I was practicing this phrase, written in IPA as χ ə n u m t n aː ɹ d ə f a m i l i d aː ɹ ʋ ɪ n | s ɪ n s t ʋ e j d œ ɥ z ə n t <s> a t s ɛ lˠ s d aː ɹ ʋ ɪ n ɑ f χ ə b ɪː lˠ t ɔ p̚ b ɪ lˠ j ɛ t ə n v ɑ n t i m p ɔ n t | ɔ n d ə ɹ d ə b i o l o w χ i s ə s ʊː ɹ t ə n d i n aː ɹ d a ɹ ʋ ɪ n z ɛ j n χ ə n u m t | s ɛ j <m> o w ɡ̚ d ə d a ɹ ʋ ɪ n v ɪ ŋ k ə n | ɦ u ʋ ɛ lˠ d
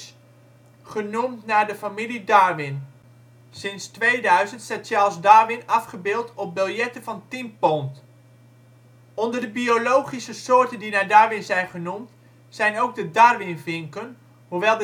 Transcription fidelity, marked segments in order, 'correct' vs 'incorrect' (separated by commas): correct, incorrect